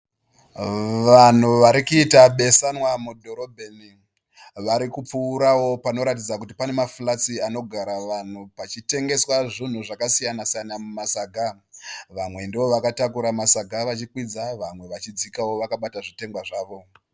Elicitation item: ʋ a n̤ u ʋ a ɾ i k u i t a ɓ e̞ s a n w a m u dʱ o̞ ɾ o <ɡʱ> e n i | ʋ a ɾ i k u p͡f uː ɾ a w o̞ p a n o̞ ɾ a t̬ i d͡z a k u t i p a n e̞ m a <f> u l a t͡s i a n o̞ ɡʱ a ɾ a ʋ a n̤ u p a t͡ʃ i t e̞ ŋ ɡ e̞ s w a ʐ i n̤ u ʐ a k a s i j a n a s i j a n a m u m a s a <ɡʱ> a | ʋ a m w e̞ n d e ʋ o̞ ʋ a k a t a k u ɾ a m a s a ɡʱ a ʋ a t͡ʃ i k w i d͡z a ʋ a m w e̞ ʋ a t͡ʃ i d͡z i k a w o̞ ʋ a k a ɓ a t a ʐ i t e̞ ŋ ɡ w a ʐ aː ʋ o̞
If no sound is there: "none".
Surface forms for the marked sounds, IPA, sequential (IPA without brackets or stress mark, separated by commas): bʱ, f, ɡʱ